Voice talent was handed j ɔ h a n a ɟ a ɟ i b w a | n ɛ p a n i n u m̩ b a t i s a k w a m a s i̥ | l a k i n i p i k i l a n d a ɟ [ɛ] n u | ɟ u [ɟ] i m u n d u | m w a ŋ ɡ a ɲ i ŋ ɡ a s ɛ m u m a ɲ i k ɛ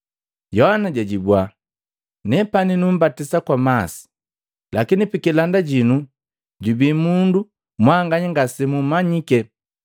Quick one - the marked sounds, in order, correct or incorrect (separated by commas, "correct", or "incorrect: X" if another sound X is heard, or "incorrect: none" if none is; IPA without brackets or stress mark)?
incorrect: i, incorrect: b